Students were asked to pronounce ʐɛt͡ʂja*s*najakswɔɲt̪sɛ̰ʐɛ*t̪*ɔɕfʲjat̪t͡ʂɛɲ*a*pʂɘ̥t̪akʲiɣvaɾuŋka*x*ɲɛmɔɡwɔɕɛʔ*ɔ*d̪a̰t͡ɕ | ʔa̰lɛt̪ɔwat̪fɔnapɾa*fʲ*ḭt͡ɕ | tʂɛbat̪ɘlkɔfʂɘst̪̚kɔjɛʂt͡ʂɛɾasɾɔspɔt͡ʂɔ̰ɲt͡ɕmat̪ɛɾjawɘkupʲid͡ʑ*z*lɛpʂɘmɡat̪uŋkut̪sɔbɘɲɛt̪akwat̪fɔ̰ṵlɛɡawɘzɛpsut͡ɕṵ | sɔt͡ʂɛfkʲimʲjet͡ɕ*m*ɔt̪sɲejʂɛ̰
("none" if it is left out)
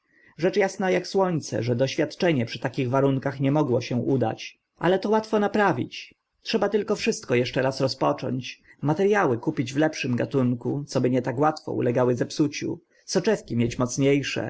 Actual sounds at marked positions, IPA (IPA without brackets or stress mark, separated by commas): s, d̪, ɛ, x, u, vʲ, v, m